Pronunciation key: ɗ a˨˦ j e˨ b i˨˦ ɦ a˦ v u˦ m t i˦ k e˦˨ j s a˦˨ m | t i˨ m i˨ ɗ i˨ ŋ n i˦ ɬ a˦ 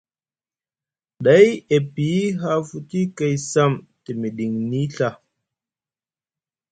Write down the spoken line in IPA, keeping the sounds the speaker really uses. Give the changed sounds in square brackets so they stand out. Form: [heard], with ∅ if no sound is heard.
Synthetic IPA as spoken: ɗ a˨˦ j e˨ [p] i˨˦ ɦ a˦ [f] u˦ [∅] t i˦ k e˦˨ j s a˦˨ m | t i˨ m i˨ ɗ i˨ ŋ n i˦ ɬ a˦